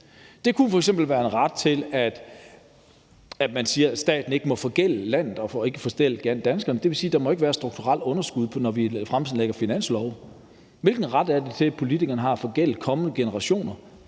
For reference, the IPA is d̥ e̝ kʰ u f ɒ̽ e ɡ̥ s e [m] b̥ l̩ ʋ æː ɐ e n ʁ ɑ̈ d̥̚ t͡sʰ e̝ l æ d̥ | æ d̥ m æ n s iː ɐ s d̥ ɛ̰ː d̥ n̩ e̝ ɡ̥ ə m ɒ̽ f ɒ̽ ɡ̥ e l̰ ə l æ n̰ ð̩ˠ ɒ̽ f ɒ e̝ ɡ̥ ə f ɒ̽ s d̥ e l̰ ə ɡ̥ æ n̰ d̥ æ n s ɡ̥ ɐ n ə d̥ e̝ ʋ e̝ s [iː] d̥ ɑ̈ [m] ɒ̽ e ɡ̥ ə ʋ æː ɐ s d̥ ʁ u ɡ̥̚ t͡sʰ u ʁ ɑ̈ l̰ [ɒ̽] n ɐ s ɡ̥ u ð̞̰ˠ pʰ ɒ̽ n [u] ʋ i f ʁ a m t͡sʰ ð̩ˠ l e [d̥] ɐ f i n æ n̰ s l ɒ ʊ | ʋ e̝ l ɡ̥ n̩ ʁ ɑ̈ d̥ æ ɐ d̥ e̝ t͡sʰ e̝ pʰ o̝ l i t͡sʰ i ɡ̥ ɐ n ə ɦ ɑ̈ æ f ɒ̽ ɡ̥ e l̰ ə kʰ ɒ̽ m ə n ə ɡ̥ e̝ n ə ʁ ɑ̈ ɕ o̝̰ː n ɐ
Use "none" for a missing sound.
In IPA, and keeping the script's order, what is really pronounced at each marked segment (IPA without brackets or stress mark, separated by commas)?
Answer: m, iː, m, ɔ̽, ɒ, ɡ̥